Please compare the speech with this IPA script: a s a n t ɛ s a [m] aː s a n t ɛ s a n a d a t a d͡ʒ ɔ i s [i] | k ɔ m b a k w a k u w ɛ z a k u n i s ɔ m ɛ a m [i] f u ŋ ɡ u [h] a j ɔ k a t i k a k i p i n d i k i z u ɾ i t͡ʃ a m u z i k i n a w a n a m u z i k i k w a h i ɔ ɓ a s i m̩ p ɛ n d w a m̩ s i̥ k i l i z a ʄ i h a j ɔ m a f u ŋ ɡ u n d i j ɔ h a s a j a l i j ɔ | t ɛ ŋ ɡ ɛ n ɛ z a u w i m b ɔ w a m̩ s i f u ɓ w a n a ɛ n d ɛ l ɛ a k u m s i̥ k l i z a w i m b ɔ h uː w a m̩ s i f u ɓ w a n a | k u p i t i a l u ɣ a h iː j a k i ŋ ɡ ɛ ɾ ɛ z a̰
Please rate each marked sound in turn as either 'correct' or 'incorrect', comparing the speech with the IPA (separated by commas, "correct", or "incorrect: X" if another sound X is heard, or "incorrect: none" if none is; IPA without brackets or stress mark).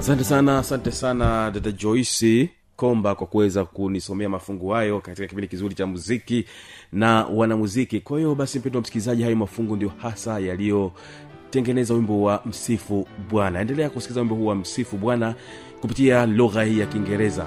incorrect: n, correct, incorrect: a, correct